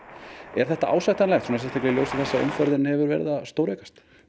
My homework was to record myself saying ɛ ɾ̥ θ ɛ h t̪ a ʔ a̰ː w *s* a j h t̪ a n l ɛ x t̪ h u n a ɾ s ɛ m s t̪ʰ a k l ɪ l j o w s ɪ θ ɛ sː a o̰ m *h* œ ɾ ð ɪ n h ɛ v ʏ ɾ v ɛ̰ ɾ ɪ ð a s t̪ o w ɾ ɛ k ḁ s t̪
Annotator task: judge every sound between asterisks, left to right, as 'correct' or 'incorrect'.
correct, incorrect: f

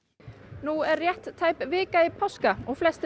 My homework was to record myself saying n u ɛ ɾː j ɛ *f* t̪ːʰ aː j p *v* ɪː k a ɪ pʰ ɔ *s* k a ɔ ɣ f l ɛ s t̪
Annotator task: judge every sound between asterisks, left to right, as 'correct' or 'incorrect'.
incorrect: h, correct, correct

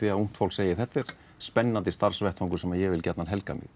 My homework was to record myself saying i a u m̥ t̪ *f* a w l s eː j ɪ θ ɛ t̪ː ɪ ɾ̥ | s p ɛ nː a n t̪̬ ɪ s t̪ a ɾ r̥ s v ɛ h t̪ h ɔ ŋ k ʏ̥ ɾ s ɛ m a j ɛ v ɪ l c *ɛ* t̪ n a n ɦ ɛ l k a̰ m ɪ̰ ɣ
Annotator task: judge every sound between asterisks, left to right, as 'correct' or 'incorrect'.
correct, correct

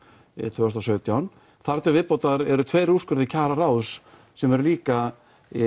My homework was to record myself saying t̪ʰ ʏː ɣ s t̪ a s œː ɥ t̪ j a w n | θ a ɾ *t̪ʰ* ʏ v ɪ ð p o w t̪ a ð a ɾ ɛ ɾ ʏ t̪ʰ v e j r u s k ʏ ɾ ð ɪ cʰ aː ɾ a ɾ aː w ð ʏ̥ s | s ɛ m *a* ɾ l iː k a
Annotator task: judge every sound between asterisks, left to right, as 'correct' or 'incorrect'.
incorrect: t̪, incorrect: ɛ

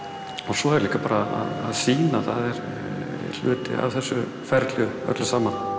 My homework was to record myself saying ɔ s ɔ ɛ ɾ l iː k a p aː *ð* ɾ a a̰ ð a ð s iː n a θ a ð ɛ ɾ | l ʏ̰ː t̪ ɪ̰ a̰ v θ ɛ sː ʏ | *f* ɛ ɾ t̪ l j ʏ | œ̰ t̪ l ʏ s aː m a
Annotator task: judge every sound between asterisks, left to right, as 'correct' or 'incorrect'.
incorrect: none, correct

